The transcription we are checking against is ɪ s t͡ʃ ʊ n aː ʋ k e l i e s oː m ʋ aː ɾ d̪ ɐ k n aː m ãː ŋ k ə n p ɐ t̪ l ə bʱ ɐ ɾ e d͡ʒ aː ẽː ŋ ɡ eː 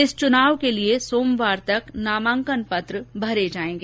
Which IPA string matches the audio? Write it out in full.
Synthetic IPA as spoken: ɪ s t͡ʃ ʊ n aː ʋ k e l i e s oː m ʋ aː ɾ t̪ ɐ k n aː m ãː ŋ k ə n p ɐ t̪ ɾ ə bʱ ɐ ɾ e d͡ʒ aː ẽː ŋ ɡ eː